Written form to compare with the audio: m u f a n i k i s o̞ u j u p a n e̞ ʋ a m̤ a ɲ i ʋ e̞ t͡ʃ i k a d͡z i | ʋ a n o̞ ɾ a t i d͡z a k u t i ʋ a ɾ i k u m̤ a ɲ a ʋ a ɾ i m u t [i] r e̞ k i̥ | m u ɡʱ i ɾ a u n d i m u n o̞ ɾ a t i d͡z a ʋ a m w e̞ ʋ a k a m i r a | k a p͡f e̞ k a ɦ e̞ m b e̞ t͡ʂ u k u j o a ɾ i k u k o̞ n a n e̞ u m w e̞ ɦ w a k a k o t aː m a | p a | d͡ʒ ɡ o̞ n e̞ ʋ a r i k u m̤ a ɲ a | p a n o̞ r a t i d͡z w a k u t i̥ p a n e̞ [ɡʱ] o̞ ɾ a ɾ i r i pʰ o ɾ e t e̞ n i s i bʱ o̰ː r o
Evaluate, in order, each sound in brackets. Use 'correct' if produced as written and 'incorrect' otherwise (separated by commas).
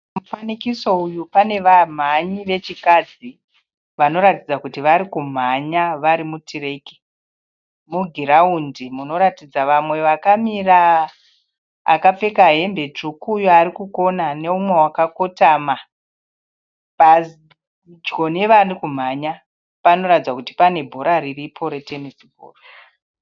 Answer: correct, incorrect